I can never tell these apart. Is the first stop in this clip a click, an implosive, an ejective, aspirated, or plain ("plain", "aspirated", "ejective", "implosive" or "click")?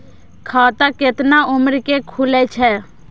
aspirated